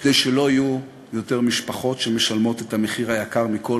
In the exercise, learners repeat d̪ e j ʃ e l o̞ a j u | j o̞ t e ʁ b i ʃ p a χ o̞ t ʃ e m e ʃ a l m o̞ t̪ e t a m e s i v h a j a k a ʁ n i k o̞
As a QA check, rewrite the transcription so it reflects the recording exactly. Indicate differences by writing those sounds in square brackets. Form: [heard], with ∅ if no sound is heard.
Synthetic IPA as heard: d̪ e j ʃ e l o̞ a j u | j o̞ t e ʁ [m] i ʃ p a χ o̞ t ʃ e m e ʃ a l m o̞ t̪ e t a m e [χ] i [ʁ] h a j a k a ʁ [m] i k o̞